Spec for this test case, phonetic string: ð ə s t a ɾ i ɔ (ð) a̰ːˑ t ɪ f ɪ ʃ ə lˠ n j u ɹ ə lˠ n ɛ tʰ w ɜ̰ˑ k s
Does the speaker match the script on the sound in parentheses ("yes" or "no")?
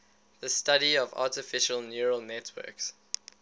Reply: no